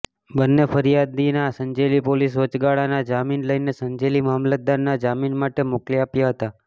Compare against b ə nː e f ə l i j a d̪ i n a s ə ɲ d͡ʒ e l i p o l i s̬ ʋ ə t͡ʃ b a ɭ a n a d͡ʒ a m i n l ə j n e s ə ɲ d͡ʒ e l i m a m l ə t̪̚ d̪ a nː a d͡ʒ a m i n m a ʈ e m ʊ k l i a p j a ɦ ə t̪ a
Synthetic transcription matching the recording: b ə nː e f ə ɾ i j a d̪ i n a s ə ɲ d͡ʒ e l i p o l i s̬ ʋ ə t͡ʃ ɡ a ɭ a n a d͡ʒ a m i n l ə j n e s ə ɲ d͡ʒ e l i m a m l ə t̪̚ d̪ a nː a d͡ʒ a m i n m a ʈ e m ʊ k l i a p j a ɦ ə t̪ a